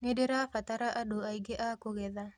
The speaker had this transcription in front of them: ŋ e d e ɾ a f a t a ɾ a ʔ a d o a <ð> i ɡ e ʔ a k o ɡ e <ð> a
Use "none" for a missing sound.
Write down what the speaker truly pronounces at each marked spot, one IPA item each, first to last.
none, ð

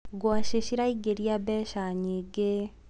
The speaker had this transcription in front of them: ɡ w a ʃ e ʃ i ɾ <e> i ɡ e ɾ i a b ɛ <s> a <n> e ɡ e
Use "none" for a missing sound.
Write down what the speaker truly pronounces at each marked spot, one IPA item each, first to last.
a, ʃ, ɲ

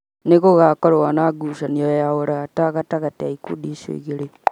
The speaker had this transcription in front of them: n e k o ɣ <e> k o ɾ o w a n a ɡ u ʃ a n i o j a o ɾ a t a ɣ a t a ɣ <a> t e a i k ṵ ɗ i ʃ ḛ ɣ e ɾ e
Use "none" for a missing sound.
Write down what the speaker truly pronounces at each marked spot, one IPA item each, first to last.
a, a

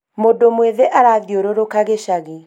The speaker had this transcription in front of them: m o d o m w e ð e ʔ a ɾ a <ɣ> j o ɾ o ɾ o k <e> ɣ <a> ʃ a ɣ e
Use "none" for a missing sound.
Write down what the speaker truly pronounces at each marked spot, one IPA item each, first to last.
ð, a, e

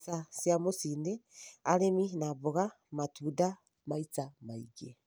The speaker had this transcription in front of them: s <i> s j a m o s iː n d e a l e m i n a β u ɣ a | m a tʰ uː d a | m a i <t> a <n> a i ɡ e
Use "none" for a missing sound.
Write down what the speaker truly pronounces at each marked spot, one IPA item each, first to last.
a, t͡s, m

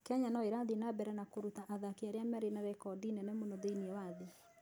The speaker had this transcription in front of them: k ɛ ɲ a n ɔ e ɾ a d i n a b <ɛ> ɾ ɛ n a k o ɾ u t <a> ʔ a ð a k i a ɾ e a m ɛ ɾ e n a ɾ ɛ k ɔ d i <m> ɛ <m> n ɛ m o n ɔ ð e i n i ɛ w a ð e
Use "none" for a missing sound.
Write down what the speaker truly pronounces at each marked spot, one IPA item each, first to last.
ɛ, a, n, none

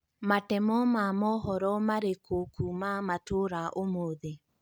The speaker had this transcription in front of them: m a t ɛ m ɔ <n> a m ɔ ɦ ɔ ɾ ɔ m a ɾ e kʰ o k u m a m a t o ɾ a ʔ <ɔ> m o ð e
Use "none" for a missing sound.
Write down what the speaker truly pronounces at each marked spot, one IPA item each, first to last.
m, o

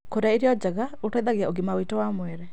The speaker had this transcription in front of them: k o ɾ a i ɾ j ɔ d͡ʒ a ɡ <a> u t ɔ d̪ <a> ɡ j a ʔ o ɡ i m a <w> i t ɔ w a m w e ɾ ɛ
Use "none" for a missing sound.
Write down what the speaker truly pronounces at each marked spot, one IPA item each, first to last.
a, a, w

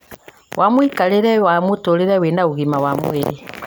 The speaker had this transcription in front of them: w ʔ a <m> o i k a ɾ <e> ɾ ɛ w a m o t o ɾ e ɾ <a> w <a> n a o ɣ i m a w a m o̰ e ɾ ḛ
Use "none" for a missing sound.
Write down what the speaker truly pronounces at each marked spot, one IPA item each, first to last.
m, e, ɛ, e

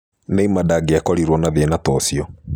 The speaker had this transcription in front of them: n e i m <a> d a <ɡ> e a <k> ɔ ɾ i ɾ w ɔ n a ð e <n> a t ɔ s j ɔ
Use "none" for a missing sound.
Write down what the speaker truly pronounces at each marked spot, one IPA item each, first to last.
a, ɡ, k, n

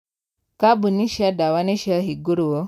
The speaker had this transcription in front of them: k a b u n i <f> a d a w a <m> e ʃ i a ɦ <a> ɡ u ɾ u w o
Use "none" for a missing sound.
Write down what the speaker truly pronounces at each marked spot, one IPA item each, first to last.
ʃ, n, i

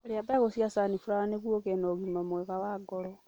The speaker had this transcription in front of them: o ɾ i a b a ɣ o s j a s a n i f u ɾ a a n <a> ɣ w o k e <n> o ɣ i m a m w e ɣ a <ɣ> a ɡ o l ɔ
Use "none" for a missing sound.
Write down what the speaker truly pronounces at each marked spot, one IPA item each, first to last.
e, n, w

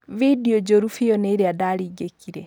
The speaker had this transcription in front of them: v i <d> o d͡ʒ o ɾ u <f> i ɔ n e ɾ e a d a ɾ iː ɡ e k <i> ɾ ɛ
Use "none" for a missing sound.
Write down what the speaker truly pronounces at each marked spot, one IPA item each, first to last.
d, f, i

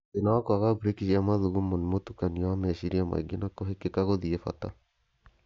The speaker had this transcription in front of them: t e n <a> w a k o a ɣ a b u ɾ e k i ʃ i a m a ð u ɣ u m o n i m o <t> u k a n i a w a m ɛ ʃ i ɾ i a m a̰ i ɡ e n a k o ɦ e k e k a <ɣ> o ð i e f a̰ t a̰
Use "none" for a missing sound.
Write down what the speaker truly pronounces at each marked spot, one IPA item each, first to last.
a, t, ɣ

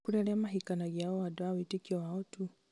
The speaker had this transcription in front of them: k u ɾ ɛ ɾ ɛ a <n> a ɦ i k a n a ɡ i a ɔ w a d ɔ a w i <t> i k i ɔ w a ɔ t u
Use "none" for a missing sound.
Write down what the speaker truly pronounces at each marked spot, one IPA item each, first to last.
m, t

